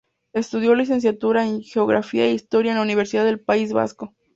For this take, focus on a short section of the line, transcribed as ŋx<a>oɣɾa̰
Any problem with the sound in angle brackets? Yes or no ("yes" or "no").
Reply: yes